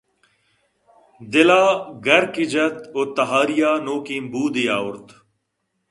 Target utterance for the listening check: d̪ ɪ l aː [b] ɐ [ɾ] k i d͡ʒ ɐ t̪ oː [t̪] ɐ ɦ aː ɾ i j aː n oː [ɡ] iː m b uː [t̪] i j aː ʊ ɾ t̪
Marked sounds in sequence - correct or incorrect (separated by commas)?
incorrect, correct, correct, incorrect, incorrect